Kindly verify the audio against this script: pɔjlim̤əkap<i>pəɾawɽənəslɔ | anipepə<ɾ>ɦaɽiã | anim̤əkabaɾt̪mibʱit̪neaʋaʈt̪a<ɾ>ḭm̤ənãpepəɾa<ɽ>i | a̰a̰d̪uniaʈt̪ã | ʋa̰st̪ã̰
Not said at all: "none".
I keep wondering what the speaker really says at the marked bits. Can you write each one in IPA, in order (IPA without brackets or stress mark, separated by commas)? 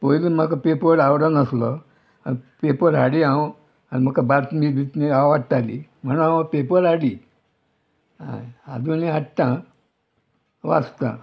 e, ɾ, l, ɽ